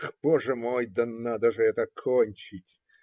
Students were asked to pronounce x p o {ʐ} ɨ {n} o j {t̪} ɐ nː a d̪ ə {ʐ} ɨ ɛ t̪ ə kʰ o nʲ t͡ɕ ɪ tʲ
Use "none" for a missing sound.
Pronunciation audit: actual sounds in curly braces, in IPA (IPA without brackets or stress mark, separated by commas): ʐ, m, d̪, ʐ